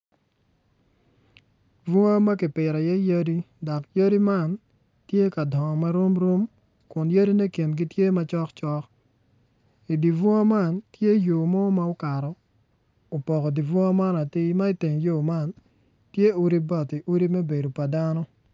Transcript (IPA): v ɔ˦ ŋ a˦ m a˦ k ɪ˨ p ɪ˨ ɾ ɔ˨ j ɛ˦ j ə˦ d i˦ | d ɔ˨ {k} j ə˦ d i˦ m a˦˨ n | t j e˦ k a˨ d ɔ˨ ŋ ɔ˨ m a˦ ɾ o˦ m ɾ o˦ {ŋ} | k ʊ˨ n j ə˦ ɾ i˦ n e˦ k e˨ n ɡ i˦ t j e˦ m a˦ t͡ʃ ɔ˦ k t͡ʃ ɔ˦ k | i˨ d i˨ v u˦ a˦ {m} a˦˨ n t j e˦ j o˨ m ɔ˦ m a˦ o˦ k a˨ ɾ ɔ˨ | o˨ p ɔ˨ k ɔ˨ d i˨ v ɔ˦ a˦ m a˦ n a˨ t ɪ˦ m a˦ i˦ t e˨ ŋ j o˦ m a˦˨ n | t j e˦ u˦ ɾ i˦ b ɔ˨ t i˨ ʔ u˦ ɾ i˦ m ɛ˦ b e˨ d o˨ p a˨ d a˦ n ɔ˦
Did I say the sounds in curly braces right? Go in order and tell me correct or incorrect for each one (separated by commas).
correct, incorrect, correct